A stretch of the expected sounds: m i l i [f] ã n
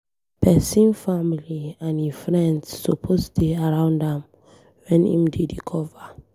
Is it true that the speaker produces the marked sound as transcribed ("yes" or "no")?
no